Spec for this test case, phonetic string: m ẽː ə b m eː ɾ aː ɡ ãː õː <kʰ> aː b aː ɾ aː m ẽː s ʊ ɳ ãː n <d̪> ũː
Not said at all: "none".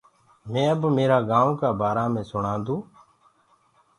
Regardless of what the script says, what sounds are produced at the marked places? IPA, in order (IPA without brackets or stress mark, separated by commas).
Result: k, d̪